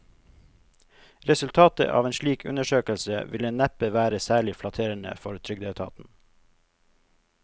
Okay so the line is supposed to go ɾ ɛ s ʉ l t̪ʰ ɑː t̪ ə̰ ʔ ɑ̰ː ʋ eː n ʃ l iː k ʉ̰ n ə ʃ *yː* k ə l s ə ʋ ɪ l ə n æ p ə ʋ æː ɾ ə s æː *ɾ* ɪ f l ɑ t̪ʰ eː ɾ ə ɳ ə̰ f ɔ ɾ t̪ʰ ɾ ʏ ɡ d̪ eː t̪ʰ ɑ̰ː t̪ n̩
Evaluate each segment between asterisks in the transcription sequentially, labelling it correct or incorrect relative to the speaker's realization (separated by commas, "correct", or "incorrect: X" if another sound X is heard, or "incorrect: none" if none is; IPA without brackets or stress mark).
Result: incorrect: øː, incorrect: ɭ